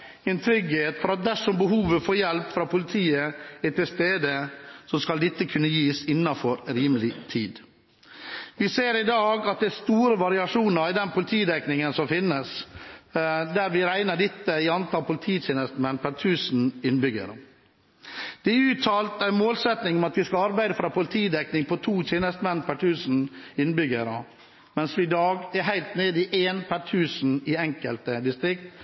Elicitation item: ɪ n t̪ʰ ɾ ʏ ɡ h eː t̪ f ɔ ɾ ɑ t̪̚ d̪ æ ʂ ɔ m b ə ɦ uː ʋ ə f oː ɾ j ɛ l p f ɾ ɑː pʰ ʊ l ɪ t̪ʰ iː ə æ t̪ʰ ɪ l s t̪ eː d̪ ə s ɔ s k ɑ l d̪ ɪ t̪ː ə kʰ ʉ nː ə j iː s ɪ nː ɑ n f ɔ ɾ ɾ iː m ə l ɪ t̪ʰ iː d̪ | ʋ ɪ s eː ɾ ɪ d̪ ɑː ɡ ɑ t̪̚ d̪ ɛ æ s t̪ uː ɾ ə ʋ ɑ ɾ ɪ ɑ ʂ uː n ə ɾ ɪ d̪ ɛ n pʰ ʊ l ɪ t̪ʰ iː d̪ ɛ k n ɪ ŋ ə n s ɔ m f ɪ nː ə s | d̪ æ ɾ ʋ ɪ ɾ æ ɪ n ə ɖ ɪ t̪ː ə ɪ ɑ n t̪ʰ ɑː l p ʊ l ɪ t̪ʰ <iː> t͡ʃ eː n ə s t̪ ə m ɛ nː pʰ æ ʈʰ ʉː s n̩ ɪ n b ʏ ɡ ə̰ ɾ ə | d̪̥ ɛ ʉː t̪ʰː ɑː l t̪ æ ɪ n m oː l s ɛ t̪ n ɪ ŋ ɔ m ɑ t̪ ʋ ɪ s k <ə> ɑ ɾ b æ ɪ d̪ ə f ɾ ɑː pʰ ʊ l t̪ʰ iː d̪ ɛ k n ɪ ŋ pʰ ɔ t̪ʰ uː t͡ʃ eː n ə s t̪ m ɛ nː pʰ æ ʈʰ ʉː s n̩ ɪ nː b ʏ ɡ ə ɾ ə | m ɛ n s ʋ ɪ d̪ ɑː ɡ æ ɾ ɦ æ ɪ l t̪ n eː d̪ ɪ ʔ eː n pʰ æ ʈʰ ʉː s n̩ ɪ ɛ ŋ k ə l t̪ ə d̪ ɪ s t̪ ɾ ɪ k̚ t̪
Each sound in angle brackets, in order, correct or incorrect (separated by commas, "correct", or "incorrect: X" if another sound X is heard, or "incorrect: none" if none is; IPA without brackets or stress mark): correct, incorrect: ɑ